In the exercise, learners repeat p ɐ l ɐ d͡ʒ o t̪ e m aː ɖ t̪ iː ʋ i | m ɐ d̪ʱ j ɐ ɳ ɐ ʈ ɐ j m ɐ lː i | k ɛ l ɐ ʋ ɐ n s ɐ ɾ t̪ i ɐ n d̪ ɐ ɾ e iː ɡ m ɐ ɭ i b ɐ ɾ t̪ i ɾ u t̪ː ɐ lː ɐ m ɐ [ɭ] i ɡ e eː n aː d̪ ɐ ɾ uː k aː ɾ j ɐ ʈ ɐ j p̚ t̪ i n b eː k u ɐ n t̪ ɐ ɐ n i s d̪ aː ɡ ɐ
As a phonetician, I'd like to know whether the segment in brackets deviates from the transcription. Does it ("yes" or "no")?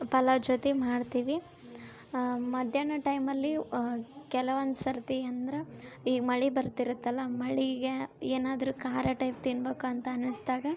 no